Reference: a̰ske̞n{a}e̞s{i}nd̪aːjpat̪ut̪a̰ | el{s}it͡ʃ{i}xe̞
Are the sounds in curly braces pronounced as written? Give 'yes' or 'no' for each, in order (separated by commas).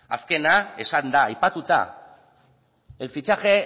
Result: yes, no, no, no